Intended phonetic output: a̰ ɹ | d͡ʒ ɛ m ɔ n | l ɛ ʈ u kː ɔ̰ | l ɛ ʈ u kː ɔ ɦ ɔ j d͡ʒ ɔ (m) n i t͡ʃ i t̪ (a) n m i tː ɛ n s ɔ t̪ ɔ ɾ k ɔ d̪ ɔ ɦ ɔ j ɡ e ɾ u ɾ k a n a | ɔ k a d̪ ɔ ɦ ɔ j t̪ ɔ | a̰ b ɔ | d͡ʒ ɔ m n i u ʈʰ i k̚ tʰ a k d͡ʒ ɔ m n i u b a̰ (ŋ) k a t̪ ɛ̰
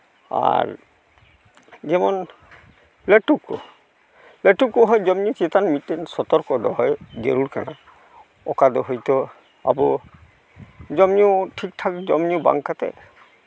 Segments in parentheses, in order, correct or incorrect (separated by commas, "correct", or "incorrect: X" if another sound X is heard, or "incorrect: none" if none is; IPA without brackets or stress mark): correct, correct, correct